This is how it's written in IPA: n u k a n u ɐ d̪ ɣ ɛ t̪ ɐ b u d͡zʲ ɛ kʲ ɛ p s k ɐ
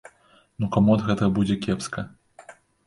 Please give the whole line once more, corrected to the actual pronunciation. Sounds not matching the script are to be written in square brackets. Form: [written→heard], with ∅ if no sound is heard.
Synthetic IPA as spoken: n u k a [n→m] u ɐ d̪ ɣ ɛ t̪ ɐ b u d͡zʲ ɛ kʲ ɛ p s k ɐ